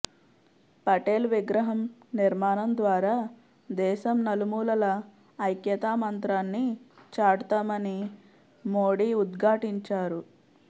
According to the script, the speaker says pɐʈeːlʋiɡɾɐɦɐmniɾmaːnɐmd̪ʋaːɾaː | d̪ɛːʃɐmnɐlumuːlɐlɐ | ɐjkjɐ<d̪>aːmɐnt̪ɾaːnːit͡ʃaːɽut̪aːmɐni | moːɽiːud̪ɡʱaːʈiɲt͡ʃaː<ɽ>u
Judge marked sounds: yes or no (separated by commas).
no, no